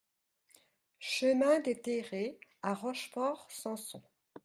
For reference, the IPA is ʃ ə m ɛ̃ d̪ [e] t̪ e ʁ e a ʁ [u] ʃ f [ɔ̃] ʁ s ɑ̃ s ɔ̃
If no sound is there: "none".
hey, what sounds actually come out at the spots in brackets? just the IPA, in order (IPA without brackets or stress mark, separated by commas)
e, ɔ, ɔ